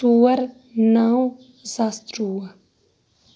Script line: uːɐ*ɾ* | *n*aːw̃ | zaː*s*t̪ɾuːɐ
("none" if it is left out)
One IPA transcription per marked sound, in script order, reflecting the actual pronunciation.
ɾ, n, s

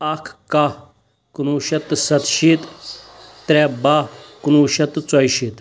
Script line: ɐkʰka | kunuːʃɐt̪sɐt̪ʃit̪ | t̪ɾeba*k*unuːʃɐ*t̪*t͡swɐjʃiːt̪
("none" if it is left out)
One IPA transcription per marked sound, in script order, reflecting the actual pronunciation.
k, t̪

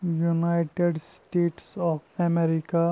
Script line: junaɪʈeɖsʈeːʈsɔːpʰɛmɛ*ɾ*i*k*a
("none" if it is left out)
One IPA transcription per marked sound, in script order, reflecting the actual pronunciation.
ɾ, k

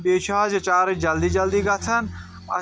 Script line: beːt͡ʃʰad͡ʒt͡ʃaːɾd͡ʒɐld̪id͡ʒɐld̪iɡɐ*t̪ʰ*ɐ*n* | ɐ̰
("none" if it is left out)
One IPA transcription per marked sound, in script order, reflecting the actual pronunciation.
t̪ʰ, n

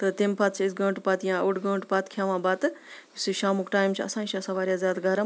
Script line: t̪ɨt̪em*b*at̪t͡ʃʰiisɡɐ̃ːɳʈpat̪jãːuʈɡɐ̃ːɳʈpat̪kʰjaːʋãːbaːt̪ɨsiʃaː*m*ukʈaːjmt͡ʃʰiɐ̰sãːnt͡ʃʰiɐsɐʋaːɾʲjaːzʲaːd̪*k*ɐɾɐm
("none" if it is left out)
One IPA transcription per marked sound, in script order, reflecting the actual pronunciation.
p, m, ɡ

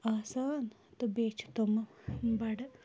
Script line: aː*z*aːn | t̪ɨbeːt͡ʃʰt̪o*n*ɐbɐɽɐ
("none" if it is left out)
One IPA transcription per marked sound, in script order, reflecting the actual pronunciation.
s, m

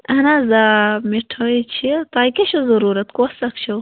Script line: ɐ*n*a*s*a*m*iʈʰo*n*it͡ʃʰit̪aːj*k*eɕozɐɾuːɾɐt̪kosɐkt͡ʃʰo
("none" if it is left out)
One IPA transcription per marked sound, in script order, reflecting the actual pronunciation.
n, z, m, none, k

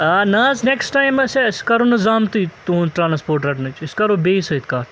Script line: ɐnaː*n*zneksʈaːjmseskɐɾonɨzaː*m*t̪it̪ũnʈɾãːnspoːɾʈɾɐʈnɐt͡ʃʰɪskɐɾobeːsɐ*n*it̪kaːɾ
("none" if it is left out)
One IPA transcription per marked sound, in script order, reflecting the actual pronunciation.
none, m, none

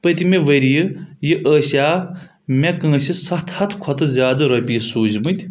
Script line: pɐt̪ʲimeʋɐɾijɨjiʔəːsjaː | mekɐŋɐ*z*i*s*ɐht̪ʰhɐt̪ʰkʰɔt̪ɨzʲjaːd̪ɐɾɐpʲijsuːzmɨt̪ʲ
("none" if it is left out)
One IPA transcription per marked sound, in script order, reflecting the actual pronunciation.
s, s

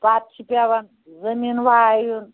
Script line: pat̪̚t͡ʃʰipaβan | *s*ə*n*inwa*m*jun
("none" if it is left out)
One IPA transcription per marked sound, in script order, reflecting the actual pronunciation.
z, m, none

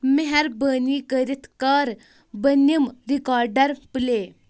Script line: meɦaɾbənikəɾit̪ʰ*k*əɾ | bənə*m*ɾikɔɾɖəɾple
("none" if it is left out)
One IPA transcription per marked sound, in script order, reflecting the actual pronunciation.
k, m

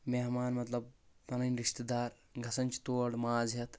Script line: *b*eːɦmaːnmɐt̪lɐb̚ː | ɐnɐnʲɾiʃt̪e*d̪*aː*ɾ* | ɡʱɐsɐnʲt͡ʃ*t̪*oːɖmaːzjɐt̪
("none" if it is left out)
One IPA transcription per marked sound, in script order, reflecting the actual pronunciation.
m, d̪, ɾ, t̪

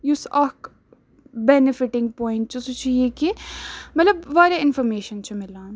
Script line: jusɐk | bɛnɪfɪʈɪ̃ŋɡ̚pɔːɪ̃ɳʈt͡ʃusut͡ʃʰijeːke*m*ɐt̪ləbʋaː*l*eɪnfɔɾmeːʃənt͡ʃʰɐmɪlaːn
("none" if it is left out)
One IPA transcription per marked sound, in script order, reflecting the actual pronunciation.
m, ɾ

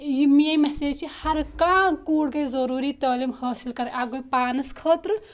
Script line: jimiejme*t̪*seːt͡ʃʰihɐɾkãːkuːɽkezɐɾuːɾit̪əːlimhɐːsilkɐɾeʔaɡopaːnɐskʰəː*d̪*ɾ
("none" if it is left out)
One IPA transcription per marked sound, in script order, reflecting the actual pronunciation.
none, t̪

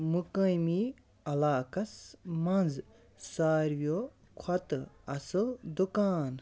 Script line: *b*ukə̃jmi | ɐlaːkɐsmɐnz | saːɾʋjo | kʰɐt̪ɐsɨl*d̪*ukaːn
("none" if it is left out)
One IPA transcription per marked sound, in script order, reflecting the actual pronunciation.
m, d̪

